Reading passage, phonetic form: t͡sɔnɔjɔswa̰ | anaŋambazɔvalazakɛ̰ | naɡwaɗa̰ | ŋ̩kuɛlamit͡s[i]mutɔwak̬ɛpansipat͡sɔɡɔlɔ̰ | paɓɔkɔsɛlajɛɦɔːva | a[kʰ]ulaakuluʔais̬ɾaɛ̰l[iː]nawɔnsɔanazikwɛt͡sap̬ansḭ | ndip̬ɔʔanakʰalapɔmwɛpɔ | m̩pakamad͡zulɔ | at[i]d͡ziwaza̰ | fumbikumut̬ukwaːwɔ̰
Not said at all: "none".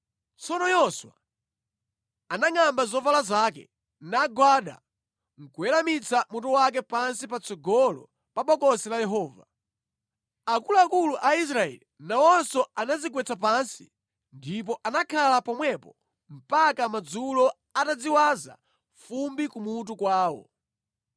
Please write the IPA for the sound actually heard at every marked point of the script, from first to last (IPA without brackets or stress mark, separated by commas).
a, k, i, a